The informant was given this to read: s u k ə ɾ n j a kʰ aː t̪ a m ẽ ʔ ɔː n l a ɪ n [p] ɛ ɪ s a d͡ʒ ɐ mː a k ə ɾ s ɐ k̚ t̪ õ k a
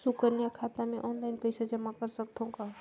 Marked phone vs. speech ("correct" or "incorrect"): correct